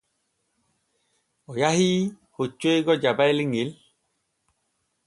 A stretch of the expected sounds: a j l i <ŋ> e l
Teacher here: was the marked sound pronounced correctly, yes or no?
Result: yes